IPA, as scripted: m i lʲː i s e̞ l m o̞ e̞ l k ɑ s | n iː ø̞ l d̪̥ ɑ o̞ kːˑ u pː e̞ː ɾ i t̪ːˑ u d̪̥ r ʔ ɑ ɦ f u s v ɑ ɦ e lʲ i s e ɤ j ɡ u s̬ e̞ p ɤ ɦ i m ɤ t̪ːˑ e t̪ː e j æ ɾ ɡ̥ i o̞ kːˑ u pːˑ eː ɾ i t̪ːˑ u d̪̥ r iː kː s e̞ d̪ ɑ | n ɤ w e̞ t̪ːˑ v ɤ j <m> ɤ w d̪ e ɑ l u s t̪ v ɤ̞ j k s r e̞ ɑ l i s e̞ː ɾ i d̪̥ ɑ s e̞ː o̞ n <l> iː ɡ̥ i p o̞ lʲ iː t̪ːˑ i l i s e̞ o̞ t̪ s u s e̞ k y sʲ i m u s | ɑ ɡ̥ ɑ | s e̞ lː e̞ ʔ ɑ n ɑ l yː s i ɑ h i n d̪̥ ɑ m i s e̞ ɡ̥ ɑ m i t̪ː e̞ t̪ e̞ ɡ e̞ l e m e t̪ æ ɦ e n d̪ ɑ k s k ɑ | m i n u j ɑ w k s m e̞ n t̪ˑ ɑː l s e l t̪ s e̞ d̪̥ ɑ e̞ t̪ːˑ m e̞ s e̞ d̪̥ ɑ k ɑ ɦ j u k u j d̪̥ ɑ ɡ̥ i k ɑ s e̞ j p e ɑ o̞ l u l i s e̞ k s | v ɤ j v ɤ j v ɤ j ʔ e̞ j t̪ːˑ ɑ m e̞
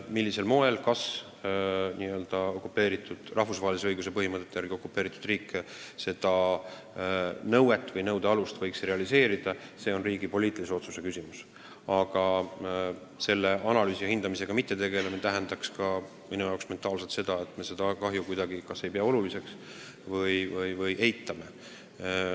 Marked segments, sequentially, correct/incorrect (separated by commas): incorrect, incorrect